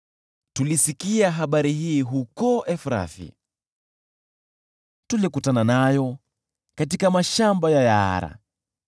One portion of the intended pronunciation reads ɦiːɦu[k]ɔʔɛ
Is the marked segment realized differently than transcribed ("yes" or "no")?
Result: no